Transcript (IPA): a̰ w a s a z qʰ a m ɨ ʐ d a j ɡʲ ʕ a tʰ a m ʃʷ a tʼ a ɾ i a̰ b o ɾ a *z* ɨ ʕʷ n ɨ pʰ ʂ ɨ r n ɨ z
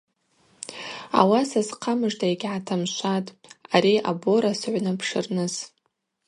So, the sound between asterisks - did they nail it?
no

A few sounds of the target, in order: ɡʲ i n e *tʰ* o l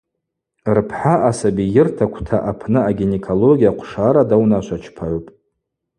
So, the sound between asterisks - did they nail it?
no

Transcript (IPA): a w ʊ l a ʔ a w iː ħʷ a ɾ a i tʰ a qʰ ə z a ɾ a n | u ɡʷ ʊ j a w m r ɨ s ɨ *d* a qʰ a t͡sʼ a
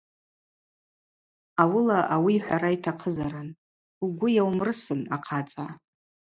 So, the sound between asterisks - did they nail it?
no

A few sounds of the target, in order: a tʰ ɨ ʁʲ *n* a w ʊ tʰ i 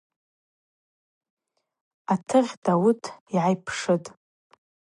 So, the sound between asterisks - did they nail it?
no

